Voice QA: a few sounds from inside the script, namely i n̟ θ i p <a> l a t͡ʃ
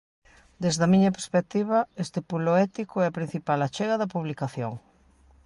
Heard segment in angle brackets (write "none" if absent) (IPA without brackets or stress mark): a